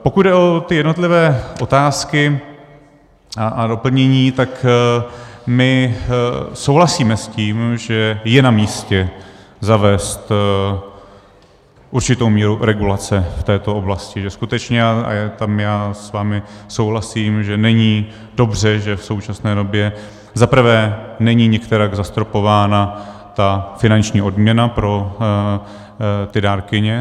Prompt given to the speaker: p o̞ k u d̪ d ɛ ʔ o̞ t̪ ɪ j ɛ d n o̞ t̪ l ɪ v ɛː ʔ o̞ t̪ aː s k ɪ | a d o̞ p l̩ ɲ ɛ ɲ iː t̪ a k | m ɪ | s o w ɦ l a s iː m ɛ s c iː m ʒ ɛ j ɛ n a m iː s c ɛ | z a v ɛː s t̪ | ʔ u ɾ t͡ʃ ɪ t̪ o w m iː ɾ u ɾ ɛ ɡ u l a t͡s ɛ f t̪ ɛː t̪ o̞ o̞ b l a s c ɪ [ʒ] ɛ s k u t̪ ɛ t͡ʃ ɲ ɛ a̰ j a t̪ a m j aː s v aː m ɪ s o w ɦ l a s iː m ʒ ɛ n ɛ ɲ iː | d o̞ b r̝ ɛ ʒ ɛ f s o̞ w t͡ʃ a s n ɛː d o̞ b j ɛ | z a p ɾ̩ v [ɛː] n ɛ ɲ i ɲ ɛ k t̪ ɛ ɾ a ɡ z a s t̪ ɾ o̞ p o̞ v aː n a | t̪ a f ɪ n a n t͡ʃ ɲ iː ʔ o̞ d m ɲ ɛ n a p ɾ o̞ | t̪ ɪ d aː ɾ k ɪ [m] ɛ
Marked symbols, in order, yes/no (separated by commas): yes, yes, no